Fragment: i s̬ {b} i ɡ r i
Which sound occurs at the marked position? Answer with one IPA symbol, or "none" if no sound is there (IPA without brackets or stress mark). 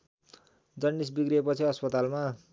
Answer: b